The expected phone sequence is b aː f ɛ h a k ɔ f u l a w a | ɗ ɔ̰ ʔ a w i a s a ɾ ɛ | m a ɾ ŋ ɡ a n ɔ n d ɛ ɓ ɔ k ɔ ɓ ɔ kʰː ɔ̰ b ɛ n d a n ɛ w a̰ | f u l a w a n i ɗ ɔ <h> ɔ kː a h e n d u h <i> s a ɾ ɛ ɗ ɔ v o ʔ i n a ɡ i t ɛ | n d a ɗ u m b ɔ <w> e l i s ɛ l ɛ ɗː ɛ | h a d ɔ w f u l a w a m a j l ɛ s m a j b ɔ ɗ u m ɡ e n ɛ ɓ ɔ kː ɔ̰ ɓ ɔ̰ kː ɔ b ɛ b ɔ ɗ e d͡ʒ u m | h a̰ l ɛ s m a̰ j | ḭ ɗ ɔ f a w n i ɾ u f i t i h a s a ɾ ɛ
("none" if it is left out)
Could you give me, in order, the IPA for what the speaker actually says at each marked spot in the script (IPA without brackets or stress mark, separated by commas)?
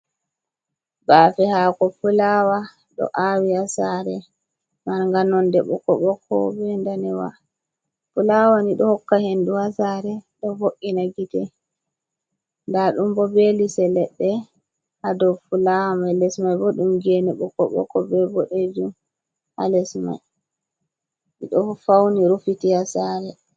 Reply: h, a, b